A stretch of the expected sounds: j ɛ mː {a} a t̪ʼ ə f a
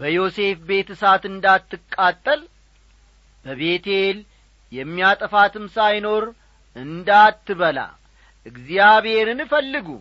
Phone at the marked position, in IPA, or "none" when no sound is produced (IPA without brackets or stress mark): i